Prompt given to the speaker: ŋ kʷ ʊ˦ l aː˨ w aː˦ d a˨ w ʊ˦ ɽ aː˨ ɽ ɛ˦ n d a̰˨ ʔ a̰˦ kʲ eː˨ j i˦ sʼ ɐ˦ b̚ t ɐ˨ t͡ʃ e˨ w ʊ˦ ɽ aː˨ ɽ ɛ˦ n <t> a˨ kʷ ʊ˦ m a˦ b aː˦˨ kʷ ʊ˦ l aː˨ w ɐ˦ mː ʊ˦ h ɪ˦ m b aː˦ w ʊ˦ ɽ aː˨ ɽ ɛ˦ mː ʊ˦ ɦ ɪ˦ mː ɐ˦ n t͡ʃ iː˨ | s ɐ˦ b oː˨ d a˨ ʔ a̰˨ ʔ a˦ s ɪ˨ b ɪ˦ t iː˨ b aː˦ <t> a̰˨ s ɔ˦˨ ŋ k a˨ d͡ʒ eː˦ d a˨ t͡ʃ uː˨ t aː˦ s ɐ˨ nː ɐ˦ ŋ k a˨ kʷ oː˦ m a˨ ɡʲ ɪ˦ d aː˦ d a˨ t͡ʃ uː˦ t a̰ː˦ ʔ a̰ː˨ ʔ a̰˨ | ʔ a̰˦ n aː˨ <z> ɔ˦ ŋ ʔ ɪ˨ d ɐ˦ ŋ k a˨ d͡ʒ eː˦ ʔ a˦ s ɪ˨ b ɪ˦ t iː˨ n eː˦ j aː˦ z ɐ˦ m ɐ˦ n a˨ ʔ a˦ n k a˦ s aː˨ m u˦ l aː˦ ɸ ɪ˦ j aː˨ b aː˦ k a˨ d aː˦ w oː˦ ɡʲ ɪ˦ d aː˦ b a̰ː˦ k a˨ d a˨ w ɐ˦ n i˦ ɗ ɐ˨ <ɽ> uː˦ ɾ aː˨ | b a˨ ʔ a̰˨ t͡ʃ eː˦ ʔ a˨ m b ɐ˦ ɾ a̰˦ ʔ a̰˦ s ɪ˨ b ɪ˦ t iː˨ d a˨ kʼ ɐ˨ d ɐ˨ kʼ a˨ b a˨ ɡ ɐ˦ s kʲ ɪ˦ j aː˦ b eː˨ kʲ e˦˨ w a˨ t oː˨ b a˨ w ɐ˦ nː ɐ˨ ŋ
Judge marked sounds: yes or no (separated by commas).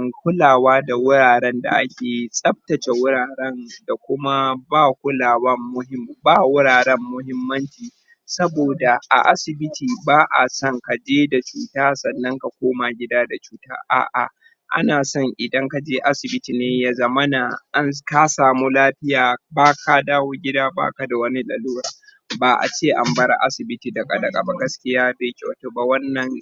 no, no, no, no